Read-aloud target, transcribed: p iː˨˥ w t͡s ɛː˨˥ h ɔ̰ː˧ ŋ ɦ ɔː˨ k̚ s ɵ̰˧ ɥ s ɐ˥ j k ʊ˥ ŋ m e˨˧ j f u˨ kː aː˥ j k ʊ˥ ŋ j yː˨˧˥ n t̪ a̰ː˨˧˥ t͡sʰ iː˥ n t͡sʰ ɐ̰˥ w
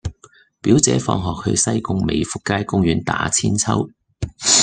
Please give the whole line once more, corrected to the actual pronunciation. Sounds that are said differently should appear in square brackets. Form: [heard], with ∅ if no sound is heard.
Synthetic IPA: p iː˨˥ w t͡s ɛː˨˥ [f] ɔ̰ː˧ ŋ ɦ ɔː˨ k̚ [h] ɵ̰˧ ɥ s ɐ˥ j k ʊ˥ ŋ m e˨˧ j f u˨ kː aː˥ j k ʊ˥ ŋ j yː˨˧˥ n t̪ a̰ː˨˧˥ t͡sʰ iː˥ n t͡sʰ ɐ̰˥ w